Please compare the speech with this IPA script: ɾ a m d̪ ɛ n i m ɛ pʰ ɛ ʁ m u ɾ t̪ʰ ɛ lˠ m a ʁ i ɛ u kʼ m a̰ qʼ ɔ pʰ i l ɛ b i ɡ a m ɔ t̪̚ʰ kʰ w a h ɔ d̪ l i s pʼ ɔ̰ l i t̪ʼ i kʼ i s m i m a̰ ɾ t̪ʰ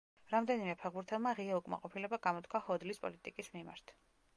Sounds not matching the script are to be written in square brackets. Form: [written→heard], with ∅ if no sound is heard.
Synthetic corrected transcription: ɾ a m d̪ ɛ n i m ɛ pʰ ɛ ʁ [m→b] u ɾ t̪ʰ ɛ lˠ m a ʁ i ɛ u kʼ m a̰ qʼ ɔ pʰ i l ɛ b [i→a] ɡ a m ɔ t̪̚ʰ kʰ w a h ɔ d̪ l i s pʼ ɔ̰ l i t̪ʼ i kʼ i s m i m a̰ ɾ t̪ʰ